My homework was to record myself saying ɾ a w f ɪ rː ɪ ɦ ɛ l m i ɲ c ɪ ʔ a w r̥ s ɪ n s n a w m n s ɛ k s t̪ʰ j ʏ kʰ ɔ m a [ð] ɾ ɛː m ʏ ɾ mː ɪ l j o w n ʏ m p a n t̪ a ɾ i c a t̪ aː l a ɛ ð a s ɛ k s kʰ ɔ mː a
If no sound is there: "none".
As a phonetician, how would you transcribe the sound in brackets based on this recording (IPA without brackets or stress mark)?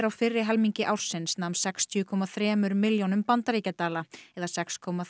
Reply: θ